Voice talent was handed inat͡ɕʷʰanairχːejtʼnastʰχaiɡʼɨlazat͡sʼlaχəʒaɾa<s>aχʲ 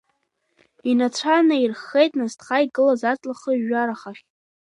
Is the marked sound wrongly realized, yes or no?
yes